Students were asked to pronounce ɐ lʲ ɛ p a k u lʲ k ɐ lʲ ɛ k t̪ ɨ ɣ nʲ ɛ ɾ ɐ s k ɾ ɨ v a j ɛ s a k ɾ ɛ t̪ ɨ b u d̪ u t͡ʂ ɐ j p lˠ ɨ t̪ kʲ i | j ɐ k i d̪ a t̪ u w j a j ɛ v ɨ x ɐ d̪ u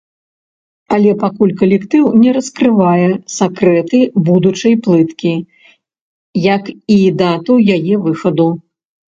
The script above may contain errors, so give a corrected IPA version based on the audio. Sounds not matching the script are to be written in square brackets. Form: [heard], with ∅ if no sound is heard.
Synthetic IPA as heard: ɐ lʲ ɛ p a k u lʲ k ɐ lʲ ɛ k t̪ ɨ [w] nʲ ɛ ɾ ɐ s k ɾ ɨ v a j ɛ s a k ɾ ɛ t̪ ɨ b u d̪ u t͡ʂ ɐ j p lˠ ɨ t̪ kʲ i | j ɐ k i d̪ a t̪ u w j a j ɛ v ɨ x ɐ d̪ u